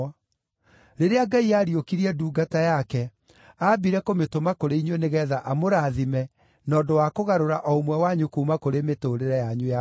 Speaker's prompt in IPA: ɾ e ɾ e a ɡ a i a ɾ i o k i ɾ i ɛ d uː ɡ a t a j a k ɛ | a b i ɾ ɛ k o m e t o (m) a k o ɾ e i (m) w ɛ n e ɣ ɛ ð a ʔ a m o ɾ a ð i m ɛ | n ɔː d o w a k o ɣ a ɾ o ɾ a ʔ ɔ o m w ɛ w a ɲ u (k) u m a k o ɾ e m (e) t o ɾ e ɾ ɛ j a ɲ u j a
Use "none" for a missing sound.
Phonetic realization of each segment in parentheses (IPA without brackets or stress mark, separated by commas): m, ɲ, k, e